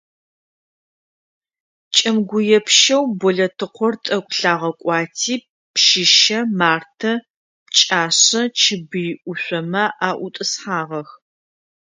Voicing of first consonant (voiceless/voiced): voiceless